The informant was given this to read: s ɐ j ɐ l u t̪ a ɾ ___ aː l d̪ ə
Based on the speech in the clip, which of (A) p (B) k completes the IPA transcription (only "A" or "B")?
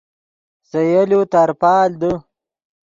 A